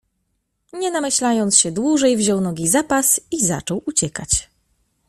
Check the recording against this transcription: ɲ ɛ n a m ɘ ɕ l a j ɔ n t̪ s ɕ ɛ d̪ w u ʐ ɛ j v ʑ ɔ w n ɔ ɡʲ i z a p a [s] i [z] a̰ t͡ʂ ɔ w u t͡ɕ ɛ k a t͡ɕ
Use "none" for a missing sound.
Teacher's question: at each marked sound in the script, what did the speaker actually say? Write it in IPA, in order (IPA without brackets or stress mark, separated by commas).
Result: s, z